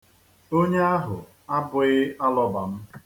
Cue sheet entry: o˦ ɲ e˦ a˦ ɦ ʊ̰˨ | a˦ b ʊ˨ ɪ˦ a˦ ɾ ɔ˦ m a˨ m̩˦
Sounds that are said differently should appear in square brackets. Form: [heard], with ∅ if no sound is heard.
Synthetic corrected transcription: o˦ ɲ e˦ a˦ ɦ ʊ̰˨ | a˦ b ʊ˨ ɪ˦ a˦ [l] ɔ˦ [b] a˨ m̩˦